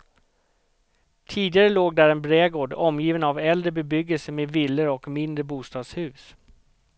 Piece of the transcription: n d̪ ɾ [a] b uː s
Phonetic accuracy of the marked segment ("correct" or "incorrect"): incorrect